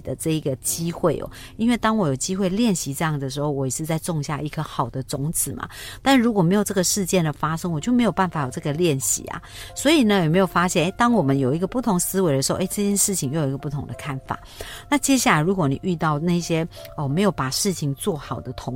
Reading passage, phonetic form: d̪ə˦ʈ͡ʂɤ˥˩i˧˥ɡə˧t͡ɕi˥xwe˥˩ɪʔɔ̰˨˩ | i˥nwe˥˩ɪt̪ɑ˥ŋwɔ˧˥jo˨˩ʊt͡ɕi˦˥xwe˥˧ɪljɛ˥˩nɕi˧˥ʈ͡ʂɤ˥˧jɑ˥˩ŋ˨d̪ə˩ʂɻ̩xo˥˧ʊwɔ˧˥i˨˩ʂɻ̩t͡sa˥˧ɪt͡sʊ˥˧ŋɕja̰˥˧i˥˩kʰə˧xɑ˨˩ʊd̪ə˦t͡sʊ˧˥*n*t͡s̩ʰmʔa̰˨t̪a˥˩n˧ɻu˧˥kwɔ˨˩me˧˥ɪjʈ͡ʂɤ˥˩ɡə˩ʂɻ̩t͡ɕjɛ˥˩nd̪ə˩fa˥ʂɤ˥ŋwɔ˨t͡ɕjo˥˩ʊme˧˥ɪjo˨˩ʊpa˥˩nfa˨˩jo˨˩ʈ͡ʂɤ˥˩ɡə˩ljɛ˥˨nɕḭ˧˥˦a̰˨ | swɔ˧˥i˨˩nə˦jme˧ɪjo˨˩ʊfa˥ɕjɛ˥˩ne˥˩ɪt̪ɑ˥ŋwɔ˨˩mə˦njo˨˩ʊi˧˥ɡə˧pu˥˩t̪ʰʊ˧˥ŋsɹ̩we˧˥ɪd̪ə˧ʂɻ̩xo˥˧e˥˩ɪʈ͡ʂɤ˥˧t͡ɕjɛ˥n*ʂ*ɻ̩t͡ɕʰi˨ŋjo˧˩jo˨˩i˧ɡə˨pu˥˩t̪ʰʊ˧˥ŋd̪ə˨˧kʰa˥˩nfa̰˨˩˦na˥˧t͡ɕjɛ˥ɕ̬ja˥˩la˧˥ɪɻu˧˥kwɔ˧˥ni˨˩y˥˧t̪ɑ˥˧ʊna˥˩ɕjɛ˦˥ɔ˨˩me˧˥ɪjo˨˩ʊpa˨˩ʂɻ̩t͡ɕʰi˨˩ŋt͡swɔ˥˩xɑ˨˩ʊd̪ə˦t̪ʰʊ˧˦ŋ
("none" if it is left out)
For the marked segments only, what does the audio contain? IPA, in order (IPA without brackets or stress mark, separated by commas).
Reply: ŋ, ʂ